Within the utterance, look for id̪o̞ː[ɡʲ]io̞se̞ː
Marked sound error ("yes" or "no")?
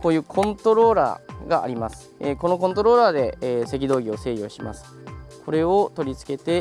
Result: no